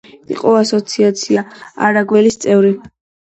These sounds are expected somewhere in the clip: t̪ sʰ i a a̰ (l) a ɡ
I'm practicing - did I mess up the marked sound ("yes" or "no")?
yes